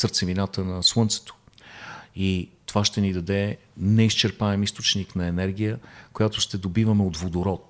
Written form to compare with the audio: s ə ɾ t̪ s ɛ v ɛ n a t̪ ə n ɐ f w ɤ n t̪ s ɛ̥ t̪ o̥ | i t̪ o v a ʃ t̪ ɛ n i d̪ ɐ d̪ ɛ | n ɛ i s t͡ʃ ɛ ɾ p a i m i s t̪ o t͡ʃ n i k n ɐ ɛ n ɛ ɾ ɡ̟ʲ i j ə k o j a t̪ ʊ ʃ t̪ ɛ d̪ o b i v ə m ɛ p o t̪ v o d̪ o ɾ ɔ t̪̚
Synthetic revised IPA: s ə ɾ t̪ s ɛ v i n a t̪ ə n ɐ s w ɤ n t̪ s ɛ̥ t̪ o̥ | i t̪ o v a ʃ t̪ ɛ n i d̪ ɐ d̪ ɛ | n ɛ i s t͡ʃ ɛ ɾ p a ɛ m i s t̪ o t͡ʃ n i k n ɐ ɛ n ɛ ɾ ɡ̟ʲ i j ə k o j a t̪ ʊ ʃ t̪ ɛ d̪ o b i v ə m ɛ o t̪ v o d̪ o ɾ ɔ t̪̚